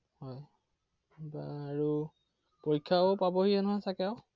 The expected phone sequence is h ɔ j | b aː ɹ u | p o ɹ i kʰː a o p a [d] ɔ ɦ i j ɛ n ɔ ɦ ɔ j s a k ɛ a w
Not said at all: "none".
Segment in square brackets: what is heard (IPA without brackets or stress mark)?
b